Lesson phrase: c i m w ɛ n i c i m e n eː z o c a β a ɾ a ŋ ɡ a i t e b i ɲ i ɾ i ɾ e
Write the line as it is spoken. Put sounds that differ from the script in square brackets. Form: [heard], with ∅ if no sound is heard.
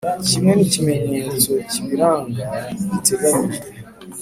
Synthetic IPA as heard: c i m w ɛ n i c i m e [ɲ] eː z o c [i] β [i] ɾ a ŋ ɡ a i t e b [a] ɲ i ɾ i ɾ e